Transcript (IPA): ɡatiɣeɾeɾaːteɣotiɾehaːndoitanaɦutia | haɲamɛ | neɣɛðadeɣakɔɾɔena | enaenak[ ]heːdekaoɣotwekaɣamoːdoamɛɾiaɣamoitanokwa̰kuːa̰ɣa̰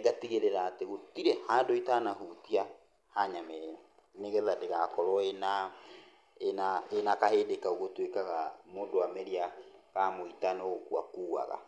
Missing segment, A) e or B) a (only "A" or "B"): B